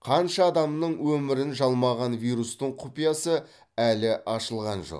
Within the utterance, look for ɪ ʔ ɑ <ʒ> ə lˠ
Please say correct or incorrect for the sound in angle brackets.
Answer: incorrect